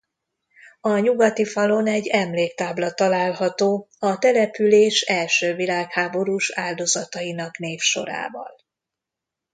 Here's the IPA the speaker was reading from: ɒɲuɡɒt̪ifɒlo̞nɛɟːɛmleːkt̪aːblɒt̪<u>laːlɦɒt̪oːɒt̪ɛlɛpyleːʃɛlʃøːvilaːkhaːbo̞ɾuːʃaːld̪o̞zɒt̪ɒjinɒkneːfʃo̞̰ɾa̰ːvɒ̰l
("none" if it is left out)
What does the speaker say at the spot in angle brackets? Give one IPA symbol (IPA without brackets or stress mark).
ɒ